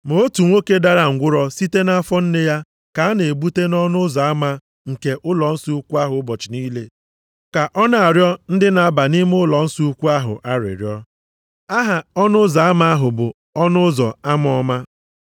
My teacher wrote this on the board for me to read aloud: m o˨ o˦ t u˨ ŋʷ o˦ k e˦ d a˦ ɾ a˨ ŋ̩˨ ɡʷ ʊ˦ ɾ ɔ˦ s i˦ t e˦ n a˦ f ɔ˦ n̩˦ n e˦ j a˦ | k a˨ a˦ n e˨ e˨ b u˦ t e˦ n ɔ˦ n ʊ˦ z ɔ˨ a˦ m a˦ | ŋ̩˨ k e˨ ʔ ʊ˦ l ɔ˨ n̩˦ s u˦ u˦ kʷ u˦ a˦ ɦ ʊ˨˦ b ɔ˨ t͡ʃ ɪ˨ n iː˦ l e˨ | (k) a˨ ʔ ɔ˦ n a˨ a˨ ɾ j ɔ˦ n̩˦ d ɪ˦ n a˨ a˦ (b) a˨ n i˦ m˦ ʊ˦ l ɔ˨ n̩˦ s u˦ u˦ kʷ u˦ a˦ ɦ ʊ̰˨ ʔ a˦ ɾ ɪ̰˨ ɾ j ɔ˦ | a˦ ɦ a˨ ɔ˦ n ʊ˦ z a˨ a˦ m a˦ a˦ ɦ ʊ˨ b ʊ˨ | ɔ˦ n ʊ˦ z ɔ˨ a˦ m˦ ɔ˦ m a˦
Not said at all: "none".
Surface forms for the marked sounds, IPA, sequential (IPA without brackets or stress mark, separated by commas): k, b